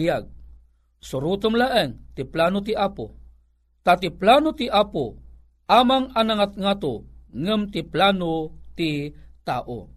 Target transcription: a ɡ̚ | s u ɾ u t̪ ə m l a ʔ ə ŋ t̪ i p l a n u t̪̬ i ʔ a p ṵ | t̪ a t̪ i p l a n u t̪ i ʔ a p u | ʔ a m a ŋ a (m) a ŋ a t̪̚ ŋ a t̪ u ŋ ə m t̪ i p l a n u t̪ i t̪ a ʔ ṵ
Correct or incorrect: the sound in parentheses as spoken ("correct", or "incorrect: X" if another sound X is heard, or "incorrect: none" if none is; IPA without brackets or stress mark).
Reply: incorrect: n